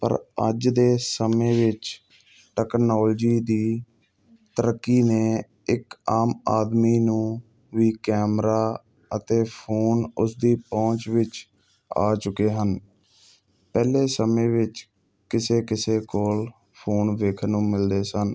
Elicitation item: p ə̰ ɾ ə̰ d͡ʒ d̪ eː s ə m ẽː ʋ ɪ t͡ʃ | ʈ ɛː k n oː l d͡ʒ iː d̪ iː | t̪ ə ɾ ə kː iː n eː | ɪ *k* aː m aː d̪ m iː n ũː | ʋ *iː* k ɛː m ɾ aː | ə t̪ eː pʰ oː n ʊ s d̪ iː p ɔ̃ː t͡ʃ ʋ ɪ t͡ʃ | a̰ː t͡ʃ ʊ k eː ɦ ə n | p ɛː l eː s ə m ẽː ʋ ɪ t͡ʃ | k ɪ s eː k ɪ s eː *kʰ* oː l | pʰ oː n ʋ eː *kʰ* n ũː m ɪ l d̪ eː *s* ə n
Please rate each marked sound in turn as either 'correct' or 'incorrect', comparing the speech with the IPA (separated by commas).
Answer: correct, correct, incorrect, correct, correct